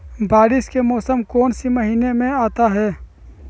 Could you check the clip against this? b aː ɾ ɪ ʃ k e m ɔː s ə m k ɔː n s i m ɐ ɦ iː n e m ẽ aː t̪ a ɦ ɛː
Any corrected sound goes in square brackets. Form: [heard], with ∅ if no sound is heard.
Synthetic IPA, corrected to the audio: b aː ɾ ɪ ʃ k e m ɔː s ə m k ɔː n s i m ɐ ɦ iː n e m ẽ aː t̪ a ɦ ɛː